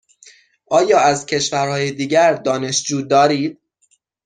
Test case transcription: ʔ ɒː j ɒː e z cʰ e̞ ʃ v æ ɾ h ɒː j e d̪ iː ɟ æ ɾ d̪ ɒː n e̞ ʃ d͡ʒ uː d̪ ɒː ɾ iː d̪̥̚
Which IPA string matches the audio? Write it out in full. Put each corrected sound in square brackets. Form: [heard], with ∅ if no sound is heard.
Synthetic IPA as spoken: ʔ ɒː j ɒː [æ] z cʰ e̞ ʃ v æ ɾ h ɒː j e d̪ iː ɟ æ ɾ d̪ ɒː n e̞ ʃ d͡ʒ uː d̪ ɒː ɾ iː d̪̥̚